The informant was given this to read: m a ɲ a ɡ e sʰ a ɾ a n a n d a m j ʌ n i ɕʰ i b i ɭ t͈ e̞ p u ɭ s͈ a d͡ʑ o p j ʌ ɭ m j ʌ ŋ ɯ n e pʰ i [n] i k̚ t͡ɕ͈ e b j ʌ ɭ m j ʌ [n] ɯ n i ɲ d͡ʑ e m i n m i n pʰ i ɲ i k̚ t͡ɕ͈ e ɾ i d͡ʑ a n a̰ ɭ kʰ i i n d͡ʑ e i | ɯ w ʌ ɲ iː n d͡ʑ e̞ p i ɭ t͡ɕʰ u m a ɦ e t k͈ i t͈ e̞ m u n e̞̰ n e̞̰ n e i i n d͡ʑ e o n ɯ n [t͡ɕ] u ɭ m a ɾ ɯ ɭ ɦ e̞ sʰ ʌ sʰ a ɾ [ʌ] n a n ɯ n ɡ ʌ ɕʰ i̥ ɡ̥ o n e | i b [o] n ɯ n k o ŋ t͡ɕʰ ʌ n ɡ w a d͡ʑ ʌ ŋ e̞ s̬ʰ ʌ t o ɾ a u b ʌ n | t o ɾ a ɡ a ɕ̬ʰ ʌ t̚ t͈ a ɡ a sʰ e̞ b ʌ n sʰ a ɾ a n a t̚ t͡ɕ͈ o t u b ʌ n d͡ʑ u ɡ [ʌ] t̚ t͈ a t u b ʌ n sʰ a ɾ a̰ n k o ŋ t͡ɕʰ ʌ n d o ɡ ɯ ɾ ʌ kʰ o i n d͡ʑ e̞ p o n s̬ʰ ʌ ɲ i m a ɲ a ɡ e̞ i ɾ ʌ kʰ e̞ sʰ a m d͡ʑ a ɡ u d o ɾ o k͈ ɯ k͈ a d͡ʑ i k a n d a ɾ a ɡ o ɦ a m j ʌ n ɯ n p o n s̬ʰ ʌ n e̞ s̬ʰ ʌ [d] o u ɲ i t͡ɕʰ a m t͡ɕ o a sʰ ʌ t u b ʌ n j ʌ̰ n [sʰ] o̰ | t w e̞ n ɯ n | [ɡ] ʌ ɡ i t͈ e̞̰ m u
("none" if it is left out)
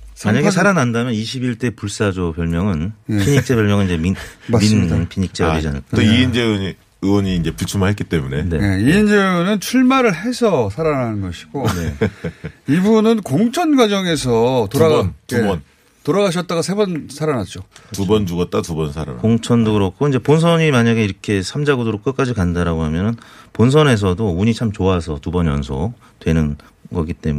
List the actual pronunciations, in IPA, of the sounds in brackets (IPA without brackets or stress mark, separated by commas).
ɲ, ŋ, t͡ɕʰ, a, u, ʌ, d, sʰ, ɡ